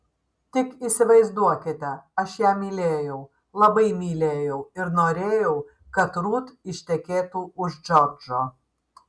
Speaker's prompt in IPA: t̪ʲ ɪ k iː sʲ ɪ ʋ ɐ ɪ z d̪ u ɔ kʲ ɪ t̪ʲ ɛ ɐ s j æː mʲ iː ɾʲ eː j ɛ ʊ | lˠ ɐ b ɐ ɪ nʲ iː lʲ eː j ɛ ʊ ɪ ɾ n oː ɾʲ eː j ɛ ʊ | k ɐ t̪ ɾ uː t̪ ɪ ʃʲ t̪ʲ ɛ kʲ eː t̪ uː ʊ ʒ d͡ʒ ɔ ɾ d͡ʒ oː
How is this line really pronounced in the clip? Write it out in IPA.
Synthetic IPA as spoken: t̪ʲ ɪ k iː sʲ ɪ ʋ ɐ ɪ z d̪ u ɔ kʲ ɪ t̪ʲ ɛ ɐ ʃ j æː mʲ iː lʲ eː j ɛ ʊ | lˠ ɐ b ɐ ɪ mʲ iː lʲ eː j ɛ ʊ ɪ ɾ n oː ɾʲ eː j ɛ ʊ | k ɐ t̪ ɾ uː t̪ ɪ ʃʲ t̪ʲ ɛ kʲ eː t̪ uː ʊ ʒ d͡ʒ ɔ ɾ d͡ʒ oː